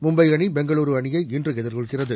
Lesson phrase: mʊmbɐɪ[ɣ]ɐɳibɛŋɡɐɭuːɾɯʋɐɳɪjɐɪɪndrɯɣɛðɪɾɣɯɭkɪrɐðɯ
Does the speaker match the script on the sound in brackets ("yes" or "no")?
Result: yes